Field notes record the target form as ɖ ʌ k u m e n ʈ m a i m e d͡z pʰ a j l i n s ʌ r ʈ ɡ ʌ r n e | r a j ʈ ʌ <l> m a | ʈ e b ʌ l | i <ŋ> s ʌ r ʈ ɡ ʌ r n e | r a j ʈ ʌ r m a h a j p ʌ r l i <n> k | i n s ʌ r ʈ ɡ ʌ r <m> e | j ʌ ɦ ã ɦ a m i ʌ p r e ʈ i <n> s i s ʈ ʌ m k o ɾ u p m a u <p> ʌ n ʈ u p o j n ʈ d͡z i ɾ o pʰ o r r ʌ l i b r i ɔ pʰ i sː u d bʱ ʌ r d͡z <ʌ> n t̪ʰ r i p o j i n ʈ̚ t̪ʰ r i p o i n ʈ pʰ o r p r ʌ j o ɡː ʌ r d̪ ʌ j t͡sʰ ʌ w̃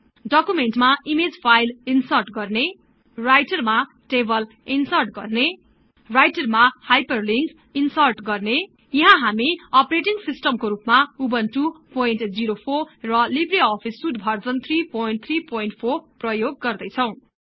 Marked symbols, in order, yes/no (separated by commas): no, no, no, no, no, no, yes